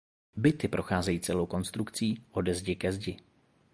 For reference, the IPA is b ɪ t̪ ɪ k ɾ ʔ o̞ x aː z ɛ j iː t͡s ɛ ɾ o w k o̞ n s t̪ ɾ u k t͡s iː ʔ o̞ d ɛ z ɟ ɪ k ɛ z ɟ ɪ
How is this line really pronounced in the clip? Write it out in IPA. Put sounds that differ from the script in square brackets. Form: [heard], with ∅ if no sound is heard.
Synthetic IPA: b ɪ t̪ ɪ [p] ɾ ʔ o̞ x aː z ɛ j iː t͡s ɛ [l] o w k o̞ n s t̪ ɾ u k t͡s iː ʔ o̞ d ɛ z ɟ ɪ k ɛ z ɟ ɪ